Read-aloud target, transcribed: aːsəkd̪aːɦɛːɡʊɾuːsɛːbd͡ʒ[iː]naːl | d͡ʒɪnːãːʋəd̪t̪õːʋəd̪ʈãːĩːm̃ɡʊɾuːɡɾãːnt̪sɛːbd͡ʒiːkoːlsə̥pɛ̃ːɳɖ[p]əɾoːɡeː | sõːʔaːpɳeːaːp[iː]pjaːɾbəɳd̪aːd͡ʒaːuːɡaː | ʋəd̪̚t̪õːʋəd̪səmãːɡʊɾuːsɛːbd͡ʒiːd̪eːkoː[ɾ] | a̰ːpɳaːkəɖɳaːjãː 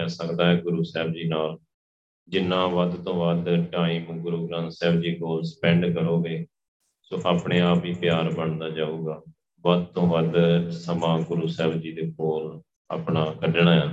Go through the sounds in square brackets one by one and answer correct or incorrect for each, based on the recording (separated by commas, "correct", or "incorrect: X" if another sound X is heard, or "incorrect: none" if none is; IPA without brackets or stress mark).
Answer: correct, incorrect: k, correct, incorrect: l